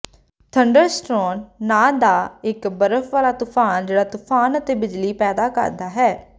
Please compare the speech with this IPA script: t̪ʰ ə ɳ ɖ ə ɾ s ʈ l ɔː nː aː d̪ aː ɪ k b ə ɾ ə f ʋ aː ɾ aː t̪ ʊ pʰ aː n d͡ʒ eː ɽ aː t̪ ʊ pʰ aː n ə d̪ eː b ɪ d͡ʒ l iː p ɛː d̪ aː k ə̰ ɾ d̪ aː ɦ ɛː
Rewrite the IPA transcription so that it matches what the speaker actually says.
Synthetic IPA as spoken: t̪ʰ ə ɳ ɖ ə ɾ s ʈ ɾ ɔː nː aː d̪ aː ɪ k b ə ɾ ə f ʋ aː l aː t̪ ʊ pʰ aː n d͡ʒ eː ɽ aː t̪ ʊ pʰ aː n ə t̪ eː b ɪ d͡ʒ l iː p ɛː d̪ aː k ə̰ ɾ d̪ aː ɦ ɛː